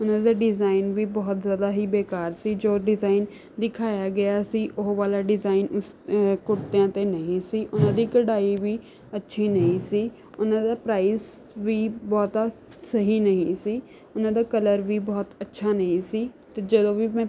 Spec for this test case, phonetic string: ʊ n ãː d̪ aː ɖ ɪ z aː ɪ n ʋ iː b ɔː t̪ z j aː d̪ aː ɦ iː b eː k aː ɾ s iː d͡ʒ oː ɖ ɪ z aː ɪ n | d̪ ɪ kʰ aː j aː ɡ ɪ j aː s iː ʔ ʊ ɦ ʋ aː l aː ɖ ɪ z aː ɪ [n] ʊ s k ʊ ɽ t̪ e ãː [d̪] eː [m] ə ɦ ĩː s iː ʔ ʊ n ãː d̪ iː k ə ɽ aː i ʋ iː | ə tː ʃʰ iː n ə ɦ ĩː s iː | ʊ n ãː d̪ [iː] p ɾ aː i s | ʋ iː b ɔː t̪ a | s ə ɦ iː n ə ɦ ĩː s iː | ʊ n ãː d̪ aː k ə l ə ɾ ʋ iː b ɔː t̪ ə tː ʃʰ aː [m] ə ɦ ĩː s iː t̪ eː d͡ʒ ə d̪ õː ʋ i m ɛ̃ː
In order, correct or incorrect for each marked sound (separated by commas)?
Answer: correct, incorrect, incorrect, incorrect, incorrect